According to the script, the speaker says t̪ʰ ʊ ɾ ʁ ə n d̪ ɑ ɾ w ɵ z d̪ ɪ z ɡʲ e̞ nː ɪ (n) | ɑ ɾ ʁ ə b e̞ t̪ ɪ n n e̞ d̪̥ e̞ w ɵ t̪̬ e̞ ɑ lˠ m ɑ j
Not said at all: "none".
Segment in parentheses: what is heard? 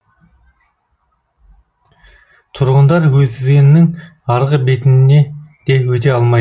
ŋ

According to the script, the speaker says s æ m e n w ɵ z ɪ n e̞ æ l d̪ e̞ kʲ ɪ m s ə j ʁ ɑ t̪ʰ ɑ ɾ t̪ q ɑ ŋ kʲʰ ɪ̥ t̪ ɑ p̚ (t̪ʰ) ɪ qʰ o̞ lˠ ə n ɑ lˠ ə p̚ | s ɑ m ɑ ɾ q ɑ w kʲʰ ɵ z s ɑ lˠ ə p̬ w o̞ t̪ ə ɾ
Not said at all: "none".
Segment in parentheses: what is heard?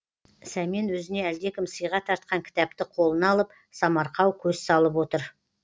t̪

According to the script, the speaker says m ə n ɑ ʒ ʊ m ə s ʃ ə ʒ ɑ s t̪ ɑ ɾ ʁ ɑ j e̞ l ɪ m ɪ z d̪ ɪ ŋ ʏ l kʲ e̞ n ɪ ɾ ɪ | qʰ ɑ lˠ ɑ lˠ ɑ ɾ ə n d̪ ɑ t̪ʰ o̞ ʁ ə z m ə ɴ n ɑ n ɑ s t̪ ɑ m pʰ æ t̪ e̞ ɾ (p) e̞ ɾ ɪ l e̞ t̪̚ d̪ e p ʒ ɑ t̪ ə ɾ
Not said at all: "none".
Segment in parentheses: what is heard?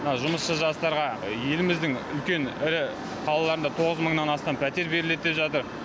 b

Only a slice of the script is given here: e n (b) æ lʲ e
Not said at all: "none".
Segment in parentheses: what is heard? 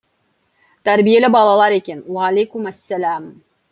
w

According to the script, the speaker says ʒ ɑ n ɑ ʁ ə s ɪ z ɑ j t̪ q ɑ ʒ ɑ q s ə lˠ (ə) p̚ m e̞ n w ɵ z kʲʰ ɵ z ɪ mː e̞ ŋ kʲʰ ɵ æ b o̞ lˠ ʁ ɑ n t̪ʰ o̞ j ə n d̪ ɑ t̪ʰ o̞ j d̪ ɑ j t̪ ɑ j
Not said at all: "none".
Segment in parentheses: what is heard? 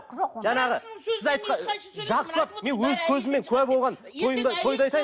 ɑ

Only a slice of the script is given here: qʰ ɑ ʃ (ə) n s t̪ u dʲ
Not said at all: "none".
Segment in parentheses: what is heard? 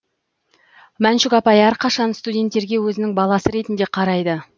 ɑ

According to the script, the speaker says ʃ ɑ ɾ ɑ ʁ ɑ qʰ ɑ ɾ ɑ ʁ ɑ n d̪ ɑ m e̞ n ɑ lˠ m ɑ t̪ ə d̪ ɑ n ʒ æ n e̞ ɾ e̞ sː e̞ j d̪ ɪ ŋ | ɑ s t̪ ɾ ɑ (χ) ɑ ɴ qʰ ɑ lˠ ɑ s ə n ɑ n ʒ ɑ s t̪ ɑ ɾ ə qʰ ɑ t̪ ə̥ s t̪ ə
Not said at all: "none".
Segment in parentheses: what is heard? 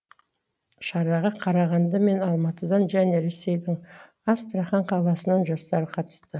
χ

